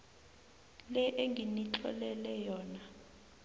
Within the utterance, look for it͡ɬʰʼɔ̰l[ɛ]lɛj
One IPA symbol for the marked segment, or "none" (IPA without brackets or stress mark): ɛ